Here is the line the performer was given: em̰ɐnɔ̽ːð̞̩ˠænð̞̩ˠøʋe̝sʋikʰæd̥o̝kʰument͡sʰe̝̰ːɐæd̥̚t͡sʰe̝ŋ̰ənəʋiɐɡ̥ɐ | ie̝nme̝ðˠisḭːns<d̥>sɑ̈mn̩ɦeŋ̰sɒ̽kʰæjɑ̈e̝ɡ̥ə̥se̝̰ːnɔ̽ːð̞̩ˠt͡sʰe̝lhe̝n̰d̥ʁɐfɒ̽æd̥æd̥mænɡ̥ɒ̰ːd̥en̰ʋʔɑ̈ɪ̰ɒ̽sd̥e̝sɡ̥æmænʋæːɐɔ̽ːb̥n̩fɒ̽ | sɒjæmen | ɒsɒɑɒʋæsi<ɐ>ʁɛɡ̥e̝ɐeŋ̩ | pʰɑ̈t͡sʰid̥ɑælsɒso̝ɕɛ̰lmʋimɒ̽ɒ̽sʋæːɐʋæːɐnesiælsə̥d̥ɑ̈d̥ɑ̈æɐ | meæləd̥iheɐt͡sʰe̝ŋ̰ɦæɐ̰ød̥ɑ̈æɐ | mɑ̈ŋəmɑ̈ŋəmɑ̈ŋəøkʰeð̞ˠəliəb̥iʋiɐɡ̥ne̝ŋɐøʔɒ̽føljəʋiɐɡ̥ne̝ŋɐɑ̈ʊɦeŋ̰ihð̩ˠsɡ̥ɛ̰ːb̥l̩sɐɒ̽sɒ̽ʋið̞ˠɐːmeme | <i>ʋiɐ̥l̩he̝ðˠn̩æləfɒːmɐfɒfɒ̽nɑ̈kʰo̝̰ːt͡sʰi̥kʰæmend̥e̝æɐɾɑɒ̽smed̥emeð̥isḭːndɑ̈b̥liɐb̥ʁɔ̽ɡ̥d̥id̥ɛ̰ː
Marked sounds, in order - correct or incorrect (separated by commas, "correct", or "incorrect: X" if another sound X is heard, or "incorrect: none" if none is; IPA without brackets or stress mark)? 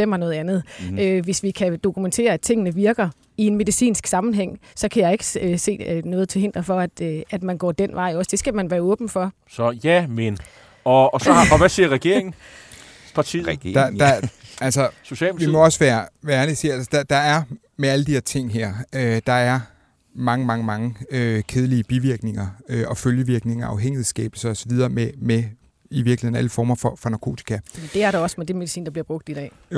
incorrect: ɡ̥, correct, correct